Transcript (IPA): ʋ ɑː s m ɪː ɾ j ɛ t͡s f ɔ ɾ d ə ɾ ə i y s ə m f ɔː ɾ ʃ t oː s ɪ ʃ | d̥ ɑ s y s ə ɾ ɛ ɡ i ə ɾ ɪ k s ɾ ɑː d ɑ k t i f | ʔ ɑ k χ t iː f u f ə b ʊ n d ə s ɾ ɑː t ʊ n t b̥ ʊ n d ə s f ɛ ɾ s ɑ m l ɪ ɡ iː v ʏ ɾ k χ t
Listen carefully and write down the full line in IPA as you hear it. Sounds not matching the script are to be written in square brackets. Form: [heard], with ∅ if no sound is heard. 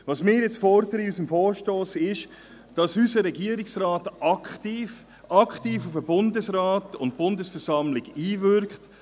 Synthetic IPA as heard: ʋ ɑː s m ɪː ɾ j ɛ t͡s f ɔ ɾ d ə ɾ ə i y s ə m f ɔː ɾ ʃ t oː s ɪ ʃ | d̥ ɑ s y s ə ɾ ɛ ɡ i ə ɾ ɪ k s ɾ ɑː [t] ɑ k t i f | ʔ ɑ k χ t iː f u f ə b ʊ n d ə s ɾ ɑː t ʊ n t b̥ ʊ n d ə s f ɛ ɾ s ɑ m l ɪ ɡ iː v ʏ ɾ k χ t